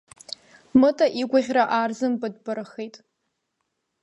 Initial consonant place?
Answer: labial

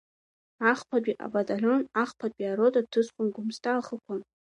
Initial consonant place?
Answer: uvular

